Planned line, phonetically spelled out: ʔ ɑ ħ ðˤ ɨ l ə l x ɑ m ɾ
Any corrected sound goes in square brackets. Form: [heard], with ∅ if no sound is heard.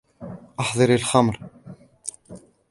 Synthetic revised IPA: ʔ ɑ ħ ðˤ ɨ [ɾ] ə l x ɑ m ɾ